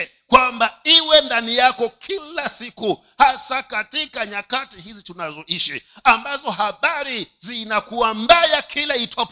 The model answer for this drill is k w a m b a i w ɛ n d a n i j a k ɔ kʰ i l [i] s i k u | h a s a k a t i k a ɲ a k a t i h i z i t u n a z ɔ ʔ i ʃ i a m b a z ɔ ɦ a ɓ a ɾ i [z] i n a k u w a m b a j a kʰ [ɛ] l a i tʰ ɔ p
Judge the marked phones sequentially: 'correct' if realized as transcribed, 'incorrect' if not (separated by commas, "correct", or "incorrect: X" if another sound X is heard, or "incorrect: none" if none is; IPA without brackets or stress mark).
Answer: incorrect: a, correct, incorrect: i